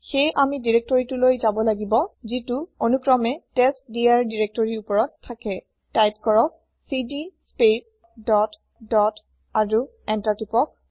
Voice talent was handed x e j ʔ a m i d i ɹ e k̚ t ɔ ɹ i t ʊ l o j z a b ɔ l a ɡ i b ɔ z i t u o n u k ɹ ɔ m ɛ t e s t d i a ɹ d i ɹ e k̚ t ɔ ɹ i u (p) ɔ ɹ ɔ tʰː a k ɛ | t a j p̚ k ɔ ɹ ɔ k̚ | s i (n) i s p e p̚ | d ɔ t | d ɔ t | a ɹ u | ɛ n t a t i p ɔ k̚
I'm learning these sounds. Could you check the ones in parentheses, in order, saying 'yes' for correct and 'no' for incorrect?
yes, no

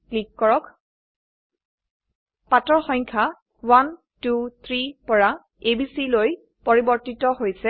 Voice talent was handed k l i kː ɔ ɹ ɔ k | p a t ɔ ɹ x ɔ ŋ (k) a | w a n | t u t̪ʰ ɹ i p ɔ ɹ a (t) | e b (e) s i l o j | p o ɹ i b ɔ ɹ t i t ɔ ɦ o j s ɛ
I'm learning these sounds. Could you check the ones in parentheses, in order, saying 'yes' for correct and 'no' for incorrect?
no, no, no

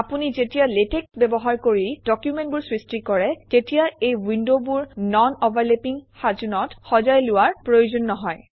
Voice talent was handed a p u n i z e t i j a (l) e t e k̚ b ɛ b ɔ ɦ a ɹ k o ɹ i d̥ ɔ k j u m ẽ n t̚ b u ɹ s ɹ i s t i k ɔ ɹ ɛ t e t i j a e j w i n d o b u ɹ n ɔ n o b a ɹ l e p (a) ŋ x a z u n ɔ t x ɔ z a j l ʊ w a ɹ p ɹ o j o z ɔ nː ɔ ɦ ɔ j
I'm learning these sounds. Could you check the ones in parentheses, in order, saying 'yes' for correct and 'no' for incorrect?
yes, no

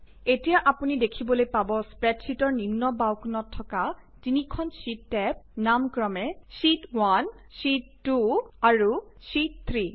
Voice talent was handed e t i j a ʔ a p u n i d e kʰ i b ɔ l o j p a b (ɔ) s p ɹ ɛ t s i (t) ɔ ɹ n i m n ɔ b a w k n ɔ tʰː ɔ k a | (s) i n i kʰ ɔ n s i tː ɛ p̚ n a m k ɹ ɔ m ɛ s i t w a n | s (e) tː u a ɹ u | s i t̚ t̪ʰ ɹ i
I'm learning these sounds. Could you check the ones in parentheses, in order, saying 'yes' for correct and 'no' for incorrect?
yes, yes, no, no

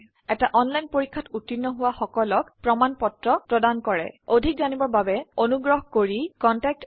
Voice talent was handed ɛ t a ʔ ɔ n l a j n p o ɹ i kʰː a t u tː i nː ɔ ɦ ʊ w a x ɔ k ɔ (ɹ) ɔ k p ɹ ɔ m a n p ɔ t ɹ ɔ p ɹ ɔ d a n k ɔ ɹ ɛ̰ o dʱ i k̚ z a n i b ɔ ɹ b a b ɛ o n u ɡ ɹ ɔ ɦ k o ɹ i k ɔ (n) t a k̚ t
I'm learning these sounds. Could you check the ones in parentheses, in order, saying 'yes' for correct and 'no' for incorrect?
no, yes

